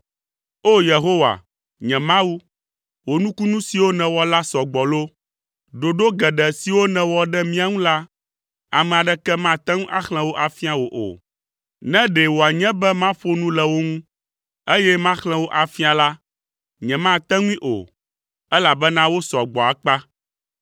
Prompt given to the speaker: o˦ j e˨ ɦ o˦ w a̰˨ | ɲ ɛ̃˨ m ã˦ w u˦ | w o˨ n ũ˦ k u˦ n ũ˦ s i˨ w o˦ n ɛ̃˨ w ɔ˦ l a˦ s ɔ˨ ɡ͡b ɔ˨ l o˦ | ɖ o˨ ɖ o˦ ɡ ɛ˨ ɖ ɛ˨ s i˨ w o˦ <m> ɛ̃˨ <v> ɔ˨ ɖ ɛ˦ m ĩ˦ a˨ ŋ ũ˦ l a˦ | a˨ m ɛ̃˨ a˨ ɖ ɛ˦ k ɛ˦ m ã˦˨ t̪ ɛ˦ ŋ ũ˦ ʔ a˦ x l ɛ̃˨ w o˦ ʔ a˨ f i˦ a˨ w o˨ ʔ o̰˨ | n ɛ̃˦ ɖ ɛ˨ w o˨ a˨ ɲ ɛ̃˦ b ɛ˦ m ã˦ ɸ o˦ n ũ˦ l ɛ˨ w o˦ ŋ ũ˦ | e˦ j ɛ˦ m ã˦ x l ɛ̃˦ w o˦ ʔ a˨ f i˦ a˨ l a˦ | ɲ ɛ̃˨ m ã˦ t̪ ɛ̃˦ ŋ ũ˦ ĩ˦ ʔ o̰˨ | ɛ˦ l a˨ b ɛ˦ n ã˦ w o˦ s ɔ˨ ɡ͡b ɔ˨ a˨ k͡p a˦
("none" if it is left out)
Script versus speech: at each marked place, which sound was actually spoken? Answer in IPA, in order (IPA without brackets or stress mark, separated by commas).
n, w